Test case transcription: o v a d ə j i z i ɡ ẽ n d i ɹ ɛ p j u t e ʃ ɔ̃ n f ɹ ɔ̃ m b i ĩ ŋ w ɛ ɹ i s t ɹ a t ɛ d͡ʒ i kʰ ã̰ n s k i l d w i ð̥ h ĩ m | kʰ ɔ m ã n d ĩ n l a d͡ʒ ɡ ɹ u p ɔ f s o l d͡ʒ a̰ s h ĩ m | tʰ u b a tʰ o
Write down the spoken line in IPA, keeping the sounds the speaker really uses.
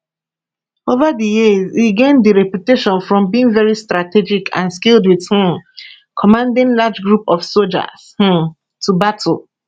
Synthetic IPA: o v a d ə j i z i ɡ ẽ n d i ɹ ɛ p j u t e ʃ ɔ̃ n f ɹ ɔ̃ m b i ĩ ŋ v ɛ ɹ i s t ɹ a t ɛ d͡ʒ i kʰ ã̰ n s k i l d w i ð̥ h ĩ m | kʰ ɔ m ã n d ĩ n l a d͡ʒ ɡ ɹ u p ɔ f s o l d͡ʒ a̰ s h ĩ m | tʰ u b a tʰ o